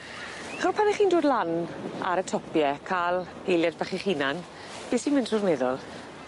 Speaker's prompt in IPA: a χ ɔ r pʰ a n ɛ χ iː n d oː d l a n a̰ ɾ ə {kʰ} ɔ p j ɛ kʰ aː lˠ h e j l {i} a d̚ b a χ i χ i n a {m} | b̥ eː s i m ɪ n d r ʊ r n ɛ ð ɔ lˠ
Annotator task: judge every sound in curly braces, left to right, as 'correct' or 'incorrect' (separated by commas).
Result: incorrect, incorrect, incorrect